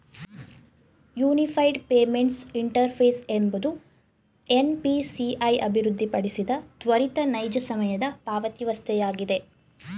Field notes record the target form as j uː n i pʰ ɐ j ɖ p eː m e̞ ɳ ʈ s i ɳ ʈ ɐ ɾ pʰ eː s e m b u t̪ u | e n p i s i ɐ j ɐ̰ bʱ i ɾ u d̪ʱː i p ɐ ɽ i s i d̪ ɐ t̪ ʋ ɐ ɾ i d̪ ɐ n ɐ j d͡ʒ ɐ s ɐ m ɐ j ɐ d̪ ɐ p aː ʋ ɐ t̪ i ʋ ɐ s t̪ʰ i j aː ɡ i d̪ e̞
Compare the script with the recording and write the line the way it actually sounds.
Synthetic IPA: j uː n i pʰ ɐ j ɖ p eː m e̞ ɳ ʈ s i ɳ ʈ ɐ ɾ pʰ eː s e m b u d̪ u | e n p i s i ɐ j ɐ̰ bʱ i ɾ u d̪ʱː i p ɐ ɽ i s i d̪ ɐ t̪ ʋ ɐ ɾ i t̪ ɐ n ɐ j d͡ʒ ɐ s ɐ m ɐ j ɐ d̪ ɐ p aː ʋ ɐ t̪ i ʋ ɐ s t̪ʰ ɛ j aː ɡ i d̪ e̞